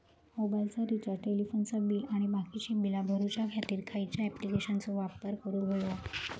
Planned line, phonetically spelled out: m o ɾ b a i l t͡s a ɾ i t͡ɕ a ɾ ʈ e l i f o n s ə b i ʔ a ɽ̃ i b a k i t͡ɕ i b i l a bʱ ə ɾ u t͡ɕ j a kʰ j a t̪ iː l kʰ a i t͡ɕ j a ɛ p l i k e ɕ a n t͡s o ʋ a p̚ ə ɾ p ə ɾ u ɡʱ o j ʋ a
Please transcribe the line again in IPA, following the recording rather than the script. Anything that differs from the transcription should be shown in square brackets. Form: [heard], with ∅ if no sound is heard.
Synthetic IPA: m o [∅] b a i l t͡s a ɾ i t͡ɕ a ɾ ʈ e l i f o n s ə b i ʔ a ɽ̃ i b a k i t͡ɕ i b i l a bʱ ə ɾ u t͡ɕ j a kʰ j a t̪ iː [ɾ] kʰ a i t͡ɕ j a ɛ p l i k e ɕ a n t͡s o ʋ a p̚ ə ɾ [k] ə ɾ u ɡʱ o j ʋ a